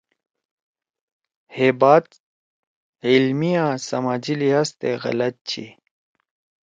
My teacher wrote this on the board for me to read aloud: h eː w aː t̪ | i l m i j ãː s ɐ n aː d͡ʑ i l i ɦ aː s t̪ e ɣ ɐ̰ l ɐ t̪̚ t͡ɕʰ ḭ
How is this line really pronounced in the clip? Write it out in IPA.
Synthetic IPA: h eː b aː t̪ | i l m i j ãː s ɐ m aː d͡ʑ i l i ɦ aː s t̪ e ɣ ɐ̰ l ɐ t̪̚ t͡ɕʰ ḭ